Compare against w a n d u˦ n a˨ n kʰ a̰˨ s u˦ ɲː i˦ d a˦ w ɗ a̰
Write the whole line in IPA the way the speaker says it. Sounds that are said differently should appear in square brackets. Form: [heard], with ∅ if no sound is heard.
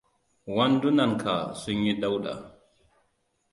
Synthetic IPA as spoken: w a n d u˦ n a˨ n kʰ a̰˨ s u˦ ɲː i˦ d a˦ w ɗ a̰